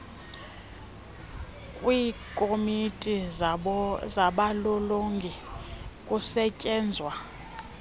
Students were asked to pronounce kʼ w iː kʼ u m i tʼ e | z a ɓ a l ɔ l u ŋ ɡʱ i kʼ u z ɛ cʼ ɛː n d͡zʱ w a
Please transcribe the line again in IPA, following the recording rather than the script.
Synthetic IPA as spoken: kʼ w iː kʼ o m i tʼ i | z a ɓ a l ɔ l o ŋ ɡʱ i kʼ u s ɛ cʼ ɛː n d͡zʱ w a